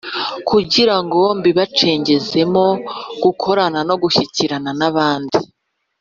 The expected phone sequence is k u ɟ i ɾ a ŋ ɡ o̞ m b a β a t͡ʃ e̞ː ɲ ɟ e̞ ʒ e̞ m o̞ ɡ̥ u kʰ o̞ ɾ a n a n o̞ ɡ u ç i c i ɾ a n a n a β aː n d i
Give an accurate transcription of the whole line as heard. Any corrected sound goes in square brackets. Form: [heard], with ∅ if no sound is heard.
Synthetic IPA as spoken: k u ɟ i ɾ a ŋ ɡ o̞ m b [i] β a t͡ʃ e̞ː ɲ ɟ e̞ [z] e̞ m o̞ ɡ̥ u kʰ o̞ ɾ a n a n o̞ ɡ u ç i c i ɾ a n a n a β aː n d i